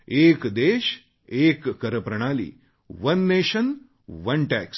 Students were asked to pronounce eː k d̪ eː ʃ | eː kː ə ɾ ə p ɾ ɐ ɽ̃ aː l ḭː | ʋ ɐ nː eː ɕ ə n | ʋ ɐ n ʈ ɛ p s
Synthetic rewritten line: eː k d̪ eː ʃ | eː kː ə ɾ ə p ɾ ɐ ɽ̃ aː l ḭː | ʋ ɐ nː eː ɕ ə n | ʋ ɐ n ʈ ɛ k s